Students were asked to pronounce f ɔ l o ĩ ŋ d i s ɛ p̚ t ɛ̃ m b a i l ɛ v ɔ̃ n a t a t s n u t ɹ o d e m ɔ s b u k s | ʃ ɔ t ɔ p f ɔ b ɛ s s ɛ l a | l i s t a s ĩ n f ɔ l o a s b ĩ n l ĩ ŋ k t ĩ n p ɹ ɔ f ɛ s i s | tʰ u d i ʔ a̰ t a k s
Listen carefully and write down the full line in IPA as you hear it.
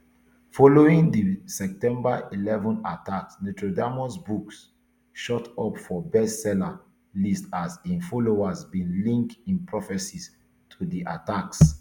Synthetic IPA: f ɔ l o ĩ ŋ d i s ɛ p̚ t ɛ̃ m b a i l ɛ v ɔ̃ n a t a k s n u t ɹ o d a m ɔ s b u k s | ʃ ɔ t ɔ p f ɔ b ɛ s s ɛ l a | l i s t a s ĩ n f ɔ l o a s b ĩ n l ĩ ŋ k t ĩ n p ɹ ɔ f ɛ s i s | tʰ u d i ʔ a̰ t a k s